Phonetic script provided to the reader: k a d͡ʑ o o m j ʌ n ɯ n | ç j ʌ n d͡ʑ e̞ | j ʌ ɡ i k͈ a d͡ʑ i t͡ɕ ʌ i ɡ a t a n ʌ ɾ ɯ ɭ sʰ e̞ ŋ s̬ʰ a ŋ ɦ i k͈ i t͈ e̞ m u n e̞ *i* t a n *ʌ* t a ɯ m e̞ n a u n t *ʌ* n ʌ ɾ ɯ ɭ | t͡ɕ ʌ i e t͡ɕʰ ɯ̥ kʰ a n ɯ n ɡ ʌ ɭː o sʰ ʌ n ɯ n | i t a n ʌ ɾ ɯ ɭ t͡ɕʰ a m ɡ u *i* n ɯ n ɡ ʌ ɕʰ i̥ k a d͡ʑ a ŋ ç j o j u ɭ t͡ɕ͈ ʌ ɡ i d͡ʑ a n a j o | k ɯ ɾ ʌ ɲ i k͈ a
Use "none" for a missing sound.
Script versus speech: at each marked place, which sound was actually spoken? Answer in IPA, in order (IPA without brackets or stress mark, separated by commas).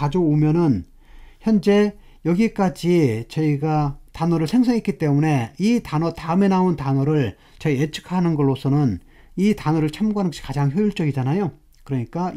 i, ʌ, a, a